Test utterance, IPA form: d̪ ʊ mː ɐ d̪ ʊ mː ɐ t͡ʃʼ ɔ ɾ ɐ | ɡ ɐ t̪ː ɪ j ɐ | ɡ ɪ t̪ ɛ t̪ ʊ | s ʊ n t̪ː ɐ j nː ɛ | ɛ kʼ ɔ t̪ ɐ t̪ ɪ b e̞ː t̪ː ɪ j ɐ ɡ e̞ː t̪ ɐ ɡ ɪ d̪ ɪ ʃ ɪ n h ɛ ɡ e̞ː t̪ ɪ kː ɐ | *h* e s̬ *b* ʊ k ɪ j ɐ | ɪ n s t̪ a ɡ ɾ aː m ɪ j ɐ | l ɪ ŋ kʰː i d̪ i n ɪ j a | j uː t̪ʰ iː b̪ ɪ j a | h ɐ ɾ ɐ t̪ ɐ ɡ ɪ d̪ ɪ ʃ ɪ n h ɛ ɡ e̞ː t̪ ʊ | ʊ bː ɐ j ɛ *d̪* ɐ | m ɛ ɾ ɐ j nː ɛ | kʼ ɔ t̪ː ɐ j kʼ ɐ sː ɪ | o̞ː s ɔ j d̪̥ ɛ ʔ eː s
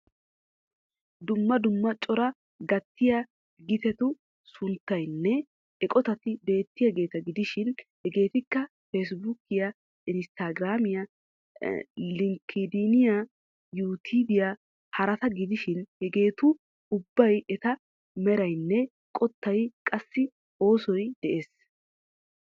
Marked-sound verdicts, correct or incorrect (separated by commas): incorrect, correct, incorrect